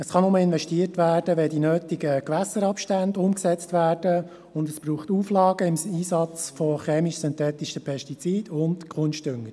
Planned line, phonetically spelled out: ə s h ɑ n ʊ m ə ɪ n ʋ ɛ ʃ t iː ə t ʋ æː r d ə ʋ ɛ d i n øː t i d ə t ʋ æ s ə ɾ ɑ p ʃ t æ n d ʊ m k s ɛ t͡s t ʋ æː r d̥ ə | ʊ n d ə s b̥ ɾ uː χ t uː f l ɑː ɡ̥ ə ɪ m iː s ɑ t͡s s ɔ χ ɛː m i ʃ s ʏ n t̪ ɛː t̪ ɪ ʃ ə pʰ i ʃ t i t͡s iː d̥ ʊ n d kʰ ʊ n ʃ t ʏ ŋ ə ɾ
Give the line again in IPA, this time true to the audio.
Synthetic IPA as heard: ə s χ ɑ n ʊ m ə ɪ n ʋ ɛ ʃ t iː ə t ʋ æː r d ə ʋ ɛ d i n øː t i ɡ ə k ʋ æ s ə ɾ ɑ p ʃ t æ n d ʊ m k s ɛ t͡s t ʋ æː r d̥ ə | ʊ n d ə s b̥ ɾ uː χ t uː f l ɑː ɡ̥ ə ɪ m iː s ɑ t͡s f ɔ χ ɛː m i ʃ s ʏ n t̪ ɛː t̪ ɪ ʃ ə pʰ ɛ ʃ t i t͡s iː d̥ ʊ n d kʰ ʊ n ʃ t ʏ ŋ ə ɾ